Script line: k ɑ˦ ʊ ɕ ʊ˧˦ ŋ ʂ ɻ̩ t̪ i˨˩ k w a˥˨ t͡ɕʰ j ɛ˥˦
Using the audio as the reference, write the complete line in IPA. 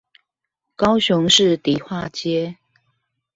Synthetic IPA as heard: k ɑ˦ ʊ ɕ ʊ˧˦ ŋ ʂ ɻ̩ t̪ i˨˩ x w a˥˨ t͡ɕ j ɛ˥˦